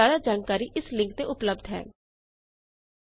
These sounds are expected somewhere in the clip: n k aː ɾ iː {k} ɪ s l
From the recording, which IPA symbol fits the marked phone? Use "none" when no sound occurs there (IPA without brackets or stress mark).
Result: ʔ